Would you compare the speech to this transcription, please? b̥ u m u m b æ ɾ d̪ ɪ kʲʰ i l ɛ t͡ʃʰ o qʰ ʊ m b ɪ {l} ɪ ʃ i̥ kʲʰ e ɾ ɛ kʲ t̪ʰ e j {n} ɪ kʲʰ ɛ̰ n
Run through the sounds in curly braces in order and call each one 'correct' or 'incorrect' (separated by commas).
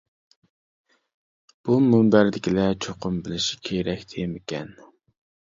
correct, incorrect